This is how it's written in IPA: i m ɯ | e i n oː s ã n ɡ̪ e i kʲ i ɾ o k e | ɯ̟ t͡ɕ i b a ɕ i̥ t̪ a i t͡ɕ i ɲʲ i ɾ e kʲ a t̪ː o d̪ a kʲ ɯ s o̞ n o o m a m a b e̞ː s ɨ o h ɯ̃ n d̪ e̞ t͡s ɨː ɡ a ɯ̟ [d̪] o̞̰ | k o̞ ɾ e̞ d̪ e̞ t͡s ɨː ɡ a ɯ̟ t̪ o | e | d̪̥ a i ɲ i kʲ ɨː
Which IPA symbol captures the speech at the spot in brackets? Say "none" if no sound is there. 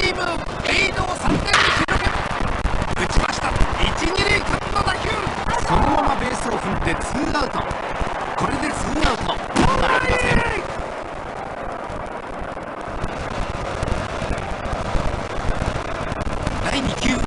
t̪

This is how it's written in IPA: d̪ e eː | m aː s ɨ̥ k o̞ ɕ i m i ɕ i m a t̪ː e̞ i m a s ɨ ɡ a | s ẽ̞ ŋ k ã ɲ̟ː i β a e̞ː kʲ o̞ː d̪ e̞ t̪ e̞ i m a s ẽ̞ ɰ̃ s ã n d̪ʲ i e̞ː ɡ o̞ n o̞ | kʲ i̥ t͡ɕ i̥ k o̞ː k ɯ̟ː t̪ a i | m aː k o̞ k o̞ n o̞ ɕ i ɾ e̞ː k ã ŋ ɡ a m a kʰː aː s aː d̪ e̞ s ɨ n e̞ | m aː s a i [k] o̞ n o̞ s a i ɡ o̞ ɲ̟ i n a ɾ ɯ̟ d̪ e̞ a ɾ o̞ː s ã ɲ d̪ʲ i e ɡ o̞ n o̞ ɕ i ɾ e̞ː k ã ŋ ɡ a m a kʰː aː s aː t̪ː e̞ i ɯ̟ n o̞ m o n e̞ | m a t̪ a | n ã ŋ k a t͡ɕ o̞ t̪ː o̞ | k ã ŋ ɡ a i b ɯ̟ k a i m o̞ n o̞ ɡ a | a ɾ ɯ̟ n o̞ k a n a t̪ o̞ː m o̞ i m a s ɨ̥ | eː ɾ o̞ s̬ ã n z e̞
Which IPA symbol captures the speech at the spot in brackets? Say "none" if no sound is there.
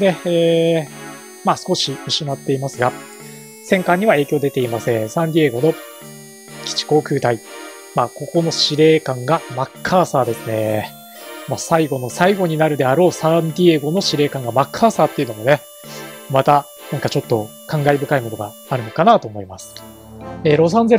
ɡ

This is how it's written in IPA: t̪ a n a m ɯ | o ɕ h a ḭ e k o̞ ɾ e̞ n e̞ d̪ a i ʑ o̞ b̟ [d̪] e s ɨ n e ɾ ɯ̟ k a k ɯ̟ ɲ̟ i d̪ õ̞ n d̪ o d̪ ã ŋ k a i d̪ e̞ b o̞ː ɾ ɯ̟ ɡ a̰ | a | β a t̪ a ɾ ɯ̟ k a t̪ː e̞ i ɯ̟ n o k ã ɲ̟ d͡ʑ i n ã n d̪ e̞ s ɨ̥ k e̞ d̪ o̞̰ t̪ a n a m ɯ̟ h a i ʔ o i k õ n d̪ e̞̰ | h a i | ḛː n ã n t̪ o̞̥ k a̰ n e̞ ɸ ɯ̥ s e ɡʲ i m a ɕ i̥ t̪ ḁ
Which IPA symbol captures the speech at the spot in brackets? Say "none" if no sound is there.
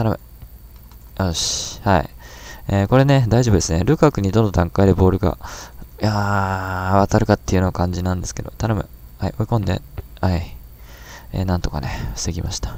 d̪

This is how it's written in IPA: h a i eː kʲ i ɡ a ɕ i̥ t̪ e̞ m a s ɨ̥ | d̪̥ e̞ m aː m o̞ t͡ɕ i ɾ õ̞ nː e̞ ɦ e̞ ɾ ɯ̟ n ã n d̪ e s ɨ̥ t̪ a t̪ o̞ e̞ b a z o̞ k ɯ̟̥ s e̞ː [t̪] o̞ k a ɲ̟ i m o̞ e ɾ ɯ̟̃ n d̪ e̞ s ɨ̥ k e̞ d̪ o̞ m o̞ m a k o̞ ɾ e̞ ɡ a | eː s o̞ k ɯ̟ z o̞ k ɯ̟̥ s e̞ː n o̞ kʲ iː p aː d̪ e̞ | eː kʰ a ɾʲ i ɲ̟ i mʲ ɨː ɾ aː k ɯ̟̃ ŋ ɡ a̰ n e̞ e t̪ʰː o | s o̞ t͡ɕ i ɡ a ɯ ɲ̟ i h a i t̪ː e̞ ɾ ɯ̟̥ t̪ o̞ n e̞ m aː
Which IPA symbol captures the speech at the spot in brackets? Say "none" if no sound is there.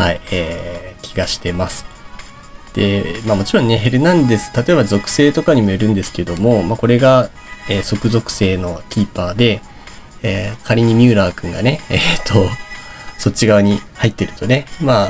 t̪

